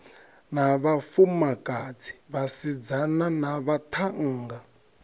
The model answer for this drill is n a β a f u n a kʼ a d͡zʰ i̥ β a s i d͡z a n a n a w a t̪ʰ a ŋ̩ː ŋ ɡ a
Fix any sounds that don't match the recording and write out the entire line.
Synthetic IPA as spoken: n a β a f u m a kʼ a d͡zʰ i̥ β a s i d͡z a n a n a β a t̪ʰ a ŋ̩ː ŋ ɡ a